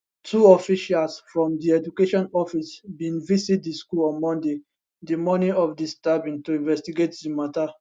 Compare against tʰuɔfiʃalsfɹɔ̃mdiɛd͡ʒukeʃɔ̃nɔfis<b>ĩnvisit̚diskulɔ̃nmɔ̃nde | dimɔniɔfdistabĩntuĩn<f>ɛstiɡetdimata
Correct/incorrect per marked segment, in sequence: correct, incorrect

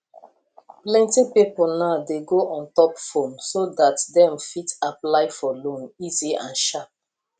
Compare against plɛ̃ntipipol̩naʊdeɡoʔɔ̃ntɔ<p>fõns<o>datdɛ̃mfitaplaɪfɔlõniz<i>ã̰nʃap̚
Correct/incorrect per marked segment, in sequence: correct, correct, correct

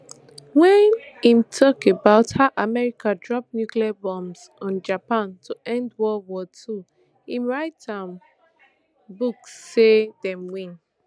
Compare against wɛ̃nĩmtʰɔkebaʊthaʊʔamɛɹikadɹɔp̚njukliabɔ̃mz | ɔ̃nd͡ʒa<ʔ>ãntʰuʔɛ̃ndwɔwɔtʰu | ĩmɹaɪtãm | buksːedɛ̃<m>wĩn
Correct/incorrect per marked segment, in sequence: incorrect, correct

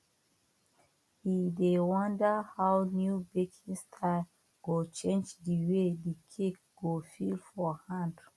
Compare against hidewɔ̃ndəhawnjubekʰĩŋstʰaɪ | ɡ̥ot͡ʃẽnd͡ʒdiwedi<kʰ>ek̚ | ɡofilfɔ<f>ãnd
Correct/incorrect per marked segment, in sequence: correct, incorrect

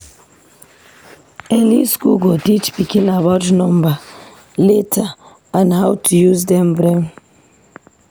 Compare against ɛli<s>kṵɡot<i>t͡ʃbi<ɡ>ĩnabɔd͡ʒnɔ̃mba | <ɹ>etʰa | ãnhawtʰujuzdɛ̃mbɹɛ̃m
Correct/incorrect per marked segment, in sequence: correct, correct, incorrect, incorrect

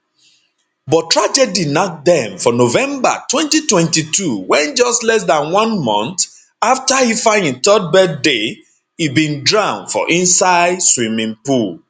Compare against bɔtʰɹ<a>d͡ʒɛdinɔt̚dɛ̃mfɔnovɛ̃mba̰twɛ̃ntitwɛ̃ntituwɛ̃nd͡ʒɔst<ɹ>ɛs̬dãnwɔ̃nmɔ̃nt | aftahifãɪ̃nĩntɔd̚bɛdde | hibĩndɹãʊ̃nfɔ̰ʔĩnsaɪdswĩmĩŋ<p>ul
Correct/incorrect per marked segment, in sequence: correct, incorrect, correct

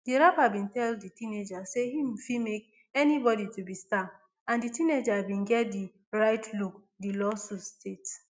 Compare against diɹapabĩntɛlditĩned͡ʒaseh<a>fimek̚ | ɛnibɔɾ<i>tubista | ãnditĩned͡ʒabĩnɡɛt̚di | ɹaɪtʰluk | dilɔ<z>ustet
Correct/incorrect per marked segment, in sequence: incorrect, correct, incorrect

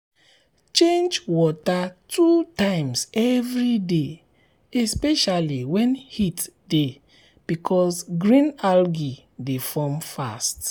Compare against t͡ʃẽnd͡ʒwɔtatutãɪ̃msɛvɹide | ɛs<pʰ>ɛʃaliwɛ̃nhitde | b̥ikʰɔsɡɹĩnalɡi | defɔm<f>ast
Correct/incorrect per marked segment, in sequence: incorrect, correct

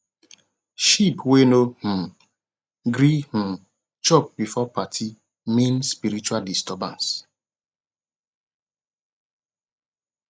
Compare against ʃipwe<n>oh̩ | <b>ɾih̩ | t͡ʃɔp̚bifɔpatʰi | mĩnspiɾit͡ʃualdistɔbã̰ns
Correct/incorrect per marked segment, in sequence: correct, incorrect

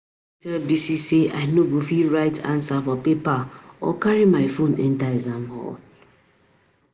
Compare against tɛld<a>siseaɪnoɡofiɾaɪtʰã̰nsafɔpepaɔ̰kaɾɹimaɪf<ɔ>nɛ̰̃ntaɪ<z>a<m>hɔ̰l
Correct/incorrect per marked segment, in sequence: incorrect, incorrect, correct, correct

